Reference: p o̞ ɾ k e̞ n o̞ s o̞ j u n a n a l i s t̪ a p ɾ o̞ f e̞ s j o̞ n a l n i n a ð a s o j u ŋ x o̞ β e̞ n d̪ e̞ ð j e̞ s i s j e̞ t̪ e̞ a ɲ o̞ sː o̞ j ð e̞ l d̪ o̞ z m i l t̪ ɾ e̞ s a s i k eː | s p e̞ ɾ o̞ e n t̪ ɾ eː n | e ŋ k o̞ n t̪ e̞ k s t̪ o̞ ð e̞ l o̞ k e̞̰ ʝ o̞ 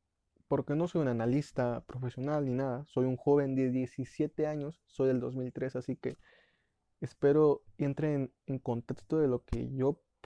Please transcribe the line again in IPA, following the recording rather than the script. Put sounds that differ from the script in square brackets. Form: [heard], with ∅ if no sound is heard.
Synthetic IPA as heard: p o̞ ɾ k e̞ n o̞ s o̞ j u n a n a l i s t̪ a p ɾ o̞ f e̞ s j o̞ n a l n i n a ð a s o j u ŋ x o̞ β e̞ n d̪ e̞ ð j e̞ s i s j e̞ t̪ e̞ a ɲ o̞ sː o̞ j ð e̞ l d̪ o̞ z m i l t̪ ɾ e̞ s a s i k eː | s p e̞ ɾ o̞ e n t̪ ɾ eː n | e ŋ k o̞ n t̪ e̞ k s t̪ o̞ ð e̞ l o̞ k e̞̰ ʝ o̞